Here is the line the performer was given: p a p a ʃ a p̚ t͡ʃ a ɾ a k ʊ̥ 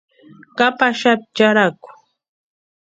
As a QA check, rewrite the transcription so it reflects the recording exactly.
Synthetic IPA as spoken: k a p a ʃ a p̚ t͡ʃ a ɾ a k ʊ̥